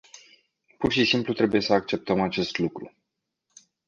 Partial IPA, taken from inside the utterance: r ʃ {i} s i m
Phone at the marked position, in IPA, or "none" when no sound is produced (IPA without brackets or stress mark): i